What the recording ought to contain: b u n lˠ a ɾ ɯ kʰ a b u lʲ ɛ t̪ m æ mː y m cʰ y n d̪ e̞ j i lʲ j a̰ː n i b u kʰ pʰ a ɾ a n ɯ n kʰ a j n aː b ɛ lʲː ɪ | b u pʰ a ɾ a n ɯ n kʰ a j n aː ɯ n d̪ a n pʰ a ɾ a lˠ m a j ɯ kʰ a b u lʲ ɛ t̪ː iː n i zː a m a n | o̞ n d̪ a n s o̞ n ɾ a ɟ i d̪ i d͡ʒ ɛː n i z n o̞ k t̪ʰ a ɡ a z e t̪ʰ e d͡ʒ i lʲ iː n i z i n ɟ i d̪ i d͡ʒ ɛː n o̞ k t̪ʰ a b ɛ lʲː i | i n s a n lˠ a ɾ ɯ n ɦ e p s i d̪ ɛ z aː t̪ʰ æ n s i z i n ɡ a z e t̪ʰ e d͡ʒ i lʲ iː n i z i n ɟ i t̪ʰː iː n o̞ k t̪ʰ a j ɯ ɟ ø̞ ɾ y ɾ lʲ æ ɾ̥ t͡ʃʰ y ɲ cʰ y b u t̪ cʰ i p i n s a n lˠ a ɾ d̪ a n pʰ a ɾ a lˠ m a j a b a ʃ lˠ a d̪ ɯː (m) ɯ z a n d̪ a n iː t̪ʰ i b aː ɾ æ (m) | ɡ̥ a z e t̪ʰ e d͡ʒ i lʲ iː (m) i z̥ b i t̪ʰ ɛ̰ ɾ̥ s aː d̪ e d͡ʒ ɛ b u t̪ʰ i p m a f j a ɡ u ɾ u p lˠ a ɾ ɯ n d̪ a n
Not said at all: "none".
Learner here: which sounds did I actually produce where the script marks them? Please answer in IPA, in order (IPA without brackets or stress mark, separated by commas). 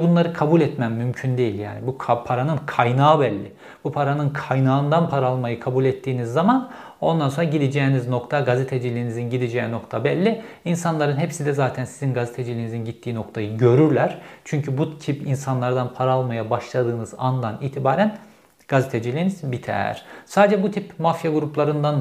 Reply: n, n, n